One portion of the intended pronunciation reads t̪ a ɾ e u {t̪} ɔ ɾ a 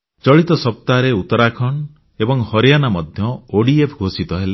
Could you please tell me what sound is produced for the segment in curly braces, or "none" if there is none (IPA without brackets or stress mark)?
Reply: t̪